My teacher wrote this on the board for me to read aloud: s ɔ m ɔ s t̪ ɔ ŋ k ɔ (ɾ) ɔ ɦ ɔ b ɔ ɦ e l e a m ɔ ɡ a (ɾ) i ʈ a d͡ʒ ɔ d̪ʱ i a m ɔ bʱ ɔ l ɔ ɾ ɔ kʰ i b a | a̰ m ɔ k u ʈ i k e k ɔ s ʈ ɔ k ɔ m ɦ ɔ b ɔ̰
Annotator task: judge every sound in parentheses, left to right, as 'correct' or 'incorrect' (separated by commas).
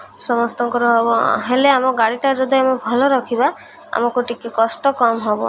correct, incorrect